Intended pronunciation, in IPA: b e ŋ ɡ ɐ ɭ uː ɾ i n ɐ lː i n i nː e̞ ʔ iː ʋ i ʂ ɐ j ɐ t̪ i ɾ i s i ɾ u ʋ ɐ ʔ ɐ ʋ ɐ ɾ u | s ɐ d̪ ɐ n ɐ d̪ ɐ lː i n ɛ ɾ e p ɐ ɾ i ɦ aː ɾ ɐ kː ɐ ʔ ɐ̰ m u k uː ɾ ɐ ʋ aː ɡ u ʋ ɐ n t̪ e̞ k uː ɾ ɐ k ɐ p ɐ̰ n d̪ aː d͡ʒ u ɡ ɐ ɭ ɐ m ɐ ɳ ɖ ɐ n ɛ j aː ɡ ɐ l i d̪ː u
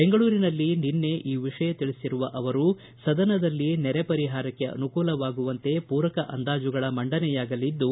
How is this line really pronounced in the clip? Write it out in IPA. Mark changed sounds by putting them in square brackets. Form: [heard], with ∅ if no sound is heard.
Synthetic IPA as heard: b e ŋ ɡ ɐ ɭ uː ɾ i n ɐ lː i n i nː e̞ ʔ iː ʋ i ʂ ɐ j ɐ t̪ i [ɭ] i s i ɾ u ʋ ɐ ʔ ɐ ʋ ɐ ɾ u | s ɐ d̪ ɐ n ɐ d̪ ɐ lː i n ɛ ɾ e p ɐ ɾ i ɦ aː ɾ ɐ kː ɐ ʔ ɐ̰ [n] u k uː [l] ɐ ʋ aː ɡ u ʋ ɐ n t̪ e̞ [p] uː ɾ ɐ k ɐ [ʔ] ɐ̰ n d̪ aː d͡ʒ u ɡ ɐ ɭ ɐ m ɐ ɳ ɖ ɐ n ɛ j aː ɡ ɐ l i d̪ː u